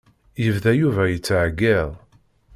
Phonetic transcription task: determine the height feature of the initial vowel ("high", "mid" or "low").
mid